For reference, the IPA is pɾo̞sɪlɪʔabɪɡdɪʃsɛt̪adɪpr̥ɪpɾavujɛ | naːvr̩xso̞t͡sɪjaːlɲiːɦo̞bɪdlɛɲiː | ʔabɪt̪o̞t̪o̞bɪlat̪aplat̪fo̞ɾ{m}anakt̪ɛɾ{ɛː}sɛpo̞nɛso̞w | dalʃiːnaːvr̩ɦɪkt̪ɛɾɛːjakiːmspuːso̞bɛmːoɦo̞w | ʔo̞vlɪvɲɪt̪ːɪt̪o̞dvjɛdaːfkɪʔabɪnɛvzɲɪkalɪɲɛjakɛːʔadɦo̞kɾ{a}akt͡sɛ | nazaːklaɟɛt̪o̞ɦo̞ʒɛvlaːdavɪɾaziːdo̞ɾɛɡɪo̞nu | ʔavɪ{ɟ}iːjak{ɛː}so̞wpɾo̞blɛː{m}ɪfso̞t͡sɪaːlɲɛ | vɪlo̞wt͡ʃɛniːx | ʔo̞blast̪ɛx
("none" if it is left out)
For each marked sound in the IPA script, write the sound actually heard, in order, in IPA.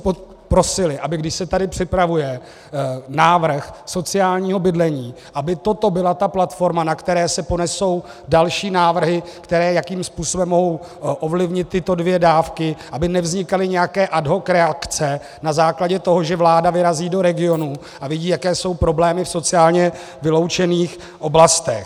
m, ɛː, ɛ, ɟ, ɛː, m

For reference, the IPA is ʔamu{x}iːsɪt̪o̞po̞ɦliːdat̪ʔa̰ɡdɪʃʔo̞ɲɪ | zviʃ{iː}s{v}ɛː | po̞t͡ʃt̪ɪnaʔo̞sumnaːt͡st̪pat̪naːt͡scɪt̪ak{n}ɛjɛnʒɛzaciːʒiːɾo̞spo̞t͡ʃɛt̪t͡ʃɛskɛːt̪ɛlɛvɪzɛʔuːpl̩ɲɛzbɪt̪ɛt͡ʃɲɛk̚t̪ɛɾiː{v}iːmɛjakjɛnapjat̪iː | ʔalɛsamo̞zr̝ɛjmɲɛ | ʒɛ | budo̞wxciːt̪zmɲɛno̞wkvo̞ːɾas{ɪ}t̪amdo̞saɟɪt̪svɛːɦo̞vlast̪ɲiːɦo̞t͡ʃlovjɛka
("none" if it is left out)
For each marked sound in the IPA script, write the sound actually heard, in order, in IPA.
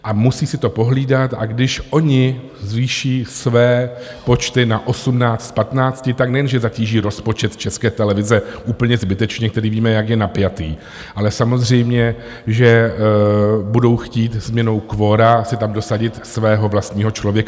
s, iː, v, n, v, ɪ

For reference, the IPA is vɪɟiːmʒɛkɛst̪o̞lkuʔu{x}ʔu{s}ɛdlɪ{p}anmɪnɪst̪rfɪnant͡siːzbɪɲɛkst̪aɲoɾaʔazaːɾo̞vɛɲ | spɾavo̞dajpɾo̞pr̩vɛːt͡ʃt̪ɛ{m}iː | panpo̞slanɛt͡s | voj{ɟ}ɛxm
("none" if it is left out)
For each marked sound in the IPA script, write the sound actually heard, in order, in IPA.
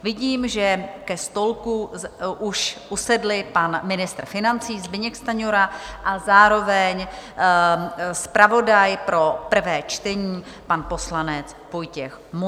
ʃ, s, p, ɲ, c

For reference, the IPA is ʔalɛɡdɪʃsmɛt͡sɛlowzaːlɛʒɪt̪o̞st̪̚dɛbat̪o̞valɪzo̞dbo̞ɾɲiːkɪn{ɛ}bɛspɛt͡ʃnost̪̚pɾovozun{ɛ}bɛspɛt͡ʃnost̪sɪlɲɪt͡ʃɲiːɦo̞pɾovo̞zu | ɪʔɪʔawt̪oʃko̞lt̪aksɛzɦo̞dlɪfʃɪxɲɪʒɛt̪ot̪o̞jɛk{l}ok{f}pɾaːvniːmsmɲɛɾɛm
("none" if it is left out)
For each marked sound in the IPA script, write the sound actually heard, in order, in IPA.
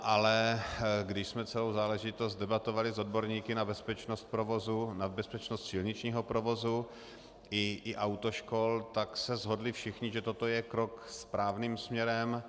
a, a, ɾ, s

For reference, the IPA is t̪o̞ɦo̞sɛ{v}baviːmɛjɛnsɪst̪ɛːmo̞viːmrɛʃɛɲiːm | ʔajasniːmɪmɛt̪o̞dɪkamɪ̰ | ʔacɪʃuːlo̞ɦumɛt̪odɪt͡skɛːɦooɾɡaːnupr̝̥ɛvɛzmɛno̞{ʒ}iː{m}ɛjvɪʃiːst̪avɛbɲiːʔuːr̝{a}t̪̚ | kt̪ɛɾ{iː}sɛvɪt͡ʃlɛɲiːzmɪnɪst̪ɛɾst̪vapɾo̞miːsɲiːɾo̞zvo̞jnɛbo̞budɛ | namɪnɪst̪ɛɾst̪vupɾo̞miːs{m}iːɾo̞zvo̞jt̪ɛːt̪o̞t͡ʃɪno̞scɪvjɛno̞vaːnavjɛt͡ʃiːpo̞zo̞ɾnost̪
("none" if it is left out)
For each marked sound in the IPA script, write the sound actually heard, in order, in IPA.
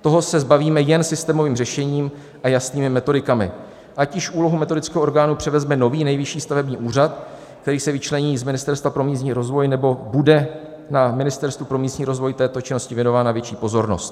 z, v, n, a, iː, ɲ

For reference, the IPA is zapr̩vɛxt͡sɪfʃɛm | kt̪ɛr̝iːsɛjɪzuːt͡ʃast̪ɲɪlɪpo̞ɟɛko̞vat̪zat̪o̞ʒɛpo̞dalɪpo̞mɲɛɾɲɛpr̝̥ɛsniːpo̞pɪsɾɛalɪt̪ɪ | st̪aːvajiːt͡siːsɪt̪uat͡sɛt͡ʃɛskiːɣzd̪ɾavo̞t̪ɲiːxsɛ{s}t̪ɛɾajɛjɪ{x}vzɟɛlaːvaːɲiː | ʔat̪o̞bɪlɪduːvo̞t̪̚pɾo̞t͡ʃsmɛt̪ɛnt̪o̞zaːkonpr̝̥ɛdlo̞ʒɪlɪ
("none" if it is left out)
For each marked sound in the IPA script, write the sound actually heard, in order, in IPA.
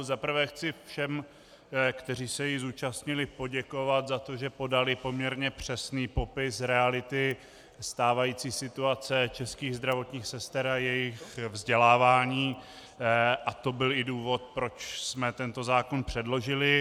s, x

